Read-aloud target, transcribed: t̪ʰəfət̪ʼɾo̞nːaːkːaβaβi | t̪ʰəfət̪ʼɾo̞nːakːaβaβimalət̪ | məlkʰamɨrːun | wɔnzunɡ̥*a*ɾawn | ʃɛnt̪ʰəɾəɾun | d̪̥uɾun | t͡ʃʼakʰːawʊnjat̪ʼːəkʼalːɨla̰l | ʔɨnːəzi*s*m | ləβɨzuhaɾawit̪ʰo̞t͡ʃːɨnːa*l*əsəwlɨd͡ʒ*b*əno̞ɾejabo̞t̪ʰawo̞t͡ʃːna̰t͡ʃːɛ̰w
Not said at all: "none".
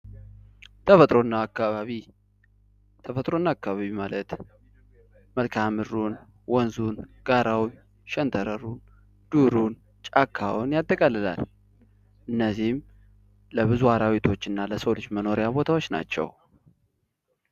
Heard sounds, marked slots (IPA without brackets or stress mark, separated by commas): a, h, l, m